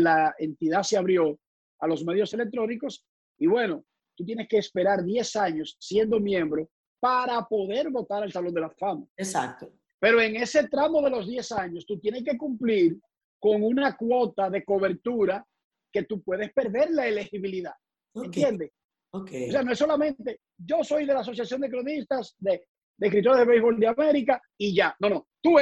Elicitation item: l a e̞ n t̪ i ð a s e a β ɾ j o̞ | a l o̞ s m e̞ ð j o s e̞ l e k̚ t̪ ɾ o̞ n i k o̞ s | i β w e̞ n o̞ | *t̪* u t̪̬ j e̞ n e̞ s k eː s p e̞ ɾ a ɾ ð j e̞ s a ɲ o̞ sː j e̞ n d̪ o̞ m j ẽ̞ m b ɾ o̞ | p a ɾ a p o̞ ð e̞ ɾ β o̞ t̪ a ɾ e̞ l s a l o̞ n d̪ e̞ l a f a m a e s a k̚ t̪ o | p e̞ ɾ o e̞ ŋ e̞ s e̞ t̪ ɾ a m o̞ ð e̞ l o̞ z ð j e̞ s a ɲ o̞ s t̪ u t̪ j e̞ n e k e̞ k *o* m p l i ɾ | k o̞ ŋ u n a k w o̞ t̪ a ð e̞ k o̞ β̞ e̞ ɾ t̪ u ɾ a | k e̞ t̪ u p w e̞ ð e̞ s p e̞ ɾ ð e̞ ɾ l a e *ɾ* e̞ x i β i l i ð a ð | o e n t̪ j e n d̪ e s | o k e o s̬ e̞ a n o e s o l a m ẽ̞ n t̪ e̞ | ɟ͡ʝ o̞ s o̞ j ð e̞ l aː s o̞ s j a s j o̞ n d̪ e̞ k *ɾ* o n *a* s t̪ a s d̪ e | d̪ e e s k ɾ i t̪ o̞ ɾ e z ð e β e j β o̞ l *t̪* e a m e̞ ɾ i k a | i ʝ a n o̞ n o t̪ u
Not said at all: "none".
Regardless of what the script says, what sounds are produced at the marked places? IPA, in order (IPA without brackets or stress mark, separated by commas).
t̪, u, l, ɾ, i, d̪